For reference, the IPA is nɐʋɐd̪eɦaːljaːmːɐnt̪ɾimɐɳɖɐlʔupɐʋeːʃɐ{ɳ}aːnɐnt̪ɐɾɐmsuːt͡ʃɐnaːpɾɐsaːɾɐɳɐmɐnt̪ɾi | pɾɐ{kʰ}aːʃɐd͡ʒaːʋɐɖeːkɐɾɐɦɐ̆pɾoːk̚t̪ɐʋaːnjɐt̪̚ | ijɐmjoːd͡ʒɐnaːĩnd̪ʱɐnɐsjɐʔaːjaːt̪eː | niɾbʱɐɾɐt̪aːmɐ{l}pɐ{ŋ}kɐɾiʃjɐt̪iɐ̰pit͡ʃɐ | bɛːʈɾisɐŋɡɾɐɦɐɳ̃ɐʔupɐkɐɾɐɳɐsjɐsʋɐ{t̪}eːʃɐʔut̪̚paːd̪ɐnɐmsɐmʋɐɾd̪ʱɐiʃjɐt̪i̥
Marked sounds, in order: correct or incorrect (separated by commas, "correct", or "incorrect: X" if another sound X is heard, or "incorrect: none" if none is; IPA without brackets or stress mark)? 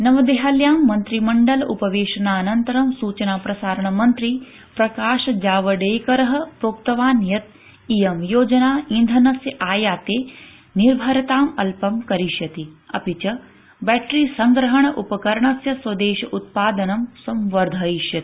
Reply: incorrect: n, incorrect: k, correct, incorrect: m, incorrect: d̪